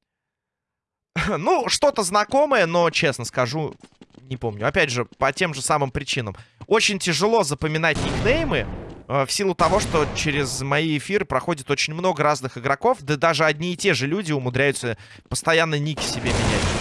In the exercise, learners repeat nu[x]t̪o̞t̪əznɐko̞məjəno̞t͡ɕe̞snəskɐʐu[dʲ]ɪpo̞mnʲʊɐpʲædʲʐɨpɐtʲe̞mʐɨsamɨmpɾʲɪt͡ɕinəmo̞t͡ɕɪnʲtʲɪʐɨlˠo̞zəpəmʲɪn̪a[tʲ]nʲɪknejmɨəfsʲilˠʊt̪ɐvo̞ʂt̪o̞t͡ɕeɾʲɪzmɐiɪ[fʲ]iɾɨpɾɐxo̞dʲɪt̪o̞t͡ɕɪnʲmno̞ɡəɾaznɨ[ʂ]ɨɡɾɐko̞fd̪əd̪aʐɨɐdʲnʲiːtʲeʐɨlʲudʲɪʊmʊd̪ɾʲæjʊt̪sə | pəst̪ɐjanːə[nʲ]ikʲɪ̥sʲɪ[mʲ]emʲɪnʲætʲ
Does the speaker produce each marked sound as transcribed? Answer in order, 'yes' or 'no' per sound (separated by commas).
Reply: no, no, yes, yes, no, yes, no